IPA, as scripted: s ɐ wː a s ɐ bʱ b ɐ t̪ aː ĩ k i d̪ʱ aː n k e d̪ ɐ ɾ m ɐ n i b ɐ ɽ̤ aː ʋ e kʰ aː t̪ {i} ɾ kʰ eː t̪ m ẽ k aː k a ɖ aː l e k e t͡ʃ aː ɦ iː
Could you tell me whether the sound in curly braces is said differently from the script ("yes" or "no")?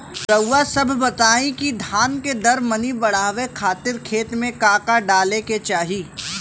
yes